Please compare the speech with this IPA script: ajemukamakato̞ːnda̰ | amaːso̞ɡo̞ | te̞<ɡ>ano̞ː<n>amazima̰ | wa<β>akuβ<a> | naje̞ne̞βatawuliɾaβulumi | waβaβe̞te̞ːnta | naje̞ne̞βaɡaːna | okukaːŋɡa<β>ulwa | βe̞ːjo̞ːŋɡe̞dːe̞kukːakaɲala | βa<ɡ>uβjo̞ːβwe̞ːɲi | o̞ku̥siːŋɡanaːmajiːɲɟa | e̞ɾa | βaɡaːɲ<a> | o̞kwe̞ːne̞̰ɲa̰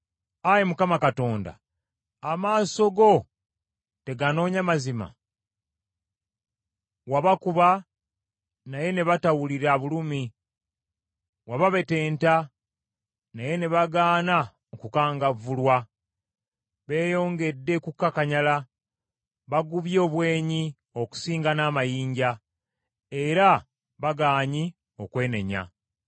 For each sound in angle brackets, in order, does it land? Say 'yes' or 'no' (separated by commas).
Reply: yes, no, yes, yes, no, yes, no